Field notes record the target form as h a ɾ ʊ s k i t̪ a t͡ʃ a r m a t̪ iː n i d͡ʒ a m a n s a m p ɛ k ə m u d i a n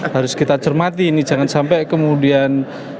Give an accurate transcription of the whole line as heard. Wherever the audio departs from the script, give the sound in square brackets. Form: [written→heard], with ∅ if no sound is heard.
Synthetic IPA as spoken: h a ɾ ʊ s k i t̪ a t͡ʃ [a→ə] r m a t̪ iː n i d͡ʒ a [m→ŋ] a n s a m p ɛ k ə m u d i a n